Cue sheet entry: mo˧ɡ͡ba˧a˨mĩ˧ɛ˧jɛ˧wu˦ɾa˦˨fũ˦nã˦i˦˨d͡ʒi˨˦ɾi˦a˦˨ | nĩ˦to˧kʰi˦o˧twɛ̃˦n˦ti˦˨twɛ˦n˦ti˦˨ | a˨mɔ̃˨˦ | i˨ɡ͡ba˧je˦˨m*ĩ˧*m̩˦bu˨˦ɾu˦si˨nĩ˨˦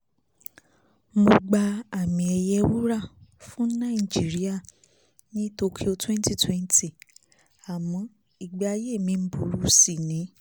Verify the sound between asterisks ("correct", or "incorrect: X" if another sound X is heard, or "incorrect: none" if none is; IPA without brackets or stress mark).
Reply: correct